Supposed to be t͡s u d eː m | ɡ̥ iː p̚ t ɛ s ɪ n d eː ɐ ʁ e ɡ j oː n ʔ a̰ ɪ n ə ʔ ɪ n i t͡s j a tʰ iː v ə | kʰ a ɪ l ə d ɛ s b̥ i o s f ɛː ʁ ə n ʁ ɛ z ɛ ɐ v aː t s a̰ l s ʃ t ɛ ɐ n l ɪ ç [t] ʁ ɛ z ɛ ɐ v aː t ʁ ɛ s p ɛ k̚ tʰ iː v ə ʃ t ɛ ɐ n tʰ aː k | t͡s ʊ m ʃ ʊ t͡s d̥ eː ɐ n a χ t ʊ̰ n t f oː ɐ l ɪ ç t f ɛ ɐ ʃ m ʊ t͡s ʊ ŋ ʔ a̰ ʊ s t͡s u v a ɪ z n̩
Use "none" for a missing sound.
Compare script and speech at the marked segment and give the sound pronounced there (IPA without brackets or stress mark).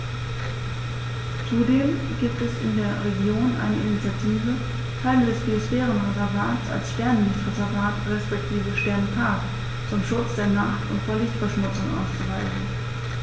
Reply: t